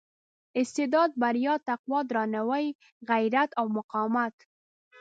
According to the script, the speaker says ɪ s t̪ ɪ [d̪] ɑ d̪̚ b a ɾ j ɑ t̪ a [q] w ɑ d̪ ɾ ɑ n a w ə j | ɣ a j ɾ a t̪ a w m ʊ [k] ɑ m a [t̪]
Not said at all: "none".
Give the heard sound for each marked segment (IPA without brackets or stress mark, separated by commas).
d̪, q, q, t̪